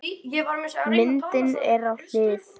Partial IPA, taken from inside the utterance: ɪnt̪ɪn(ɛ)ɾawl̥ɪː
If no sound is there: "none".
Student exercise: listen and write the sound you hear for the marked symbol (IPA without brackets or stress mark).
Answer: ɛ